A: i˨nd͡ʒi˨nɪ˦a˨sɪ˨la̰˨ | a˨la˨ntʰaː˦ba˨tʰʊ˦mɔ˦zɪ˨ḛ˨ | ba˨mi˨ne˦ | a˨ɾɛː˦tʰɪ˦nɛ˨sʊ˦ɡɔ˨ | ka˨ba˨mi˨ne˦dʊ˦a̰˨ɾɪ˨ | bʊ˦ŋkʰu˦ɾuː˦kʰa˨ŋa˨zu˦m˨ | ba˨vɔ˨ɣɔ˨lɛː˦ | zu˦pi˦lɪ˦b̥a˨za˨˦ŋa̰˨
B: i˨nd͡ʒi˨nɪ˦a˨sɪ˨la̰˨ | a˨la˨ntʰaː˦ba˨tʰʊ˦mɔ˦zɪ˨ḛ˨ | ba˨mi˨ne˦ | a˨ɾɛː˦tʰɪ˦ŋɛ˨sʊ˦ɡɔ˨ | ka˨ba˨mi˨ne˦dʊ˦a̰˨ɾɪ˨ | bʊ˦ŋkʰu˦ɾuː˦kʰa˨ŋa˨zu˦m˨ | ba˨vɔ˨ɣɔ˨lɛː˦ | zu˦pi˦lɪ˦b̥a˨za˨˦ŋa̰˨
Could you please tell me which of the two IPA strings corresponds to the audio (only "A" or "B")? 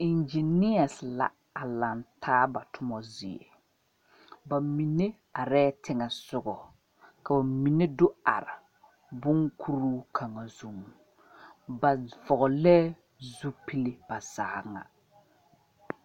B